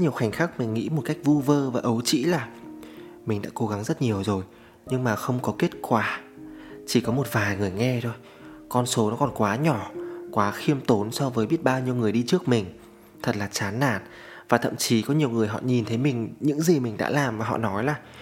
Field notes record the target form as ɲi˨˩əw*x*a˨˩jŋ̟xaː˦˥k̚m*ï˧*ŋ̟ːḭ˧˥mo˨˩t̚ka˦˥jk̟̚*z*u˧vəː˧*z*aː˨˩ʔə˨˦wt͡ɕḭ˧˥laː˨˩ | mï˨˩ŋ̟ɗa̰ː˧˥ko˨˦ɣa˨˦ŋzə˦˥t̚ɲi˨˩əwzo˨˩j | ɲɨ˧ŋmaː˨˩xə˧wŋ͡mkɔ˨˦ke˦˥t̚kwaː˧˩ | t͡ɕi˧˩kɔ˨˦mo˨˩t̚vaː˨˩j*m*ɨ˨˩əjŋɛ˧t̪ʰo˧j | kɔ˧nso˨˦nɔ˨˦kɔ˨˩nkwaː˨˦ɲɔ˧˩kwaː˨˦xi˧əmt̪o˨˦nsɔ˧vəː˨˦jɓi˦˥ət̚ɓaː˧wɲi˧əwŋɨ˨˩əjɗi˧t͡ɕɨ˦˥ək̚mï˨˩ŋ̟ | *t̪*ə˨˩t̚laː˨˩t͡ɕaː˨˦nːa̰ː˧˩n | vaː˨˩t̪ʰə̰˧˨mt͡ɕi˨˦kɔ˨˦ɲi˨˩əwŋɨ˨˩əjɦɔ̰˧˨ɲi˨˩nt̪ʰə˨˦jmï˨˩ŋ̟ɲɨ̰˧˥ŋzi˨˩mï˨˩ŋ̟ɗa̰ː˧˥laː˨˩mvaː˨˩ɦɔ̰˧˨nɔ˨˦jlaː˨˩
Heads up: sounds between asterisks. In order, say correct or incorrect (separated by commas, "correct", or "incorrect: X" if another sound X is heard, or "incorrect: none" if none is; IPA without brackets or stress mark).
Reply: correct, incorrect: ï˨˩, incorrect: v, incorrect: v, incorrect: ŋ, incorrect: t̪ʰ